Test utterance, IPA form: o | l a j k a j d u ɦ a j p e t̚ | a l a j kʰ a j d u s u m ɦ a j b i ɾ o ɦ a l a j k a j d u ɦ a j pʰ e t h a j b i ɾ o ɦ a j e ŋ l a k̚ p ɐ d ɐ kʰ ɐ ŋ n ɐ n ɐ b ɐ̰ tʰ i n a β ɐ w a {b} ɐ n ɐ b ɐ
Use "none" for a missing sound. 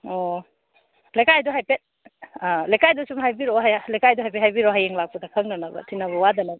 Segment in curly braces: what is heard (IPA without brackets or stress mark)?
d